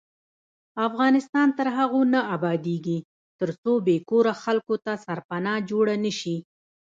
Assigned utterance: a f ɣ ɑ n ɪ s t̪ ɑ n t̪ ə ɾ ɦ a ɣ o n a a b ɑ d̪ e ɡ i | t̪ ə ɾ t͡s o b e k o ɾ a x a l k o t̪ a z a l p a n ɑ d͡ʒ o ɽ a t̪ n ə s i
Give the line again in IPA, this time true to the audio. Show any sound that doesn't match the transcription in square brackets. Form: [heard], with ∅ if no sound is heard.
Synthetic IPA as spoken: a f ɣ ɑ n ɪ s t̪ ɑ n t̪ ə ɾ ɦ a ɣ o n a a b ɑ d̪ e ɡ i | t̪ ə ɾ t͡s o b e k o ɾ a x a l k o t̪ a [s] a [ɾ] p a n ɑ d͡ʒ o ɽ a [∅] n ə [ʃ] i